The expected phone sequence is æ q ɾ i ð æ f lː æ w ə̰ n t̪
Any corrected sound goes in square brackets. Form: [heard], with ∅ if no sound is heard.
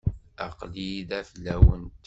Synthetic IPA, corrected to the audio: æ q [l] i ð æ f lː æ w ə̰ n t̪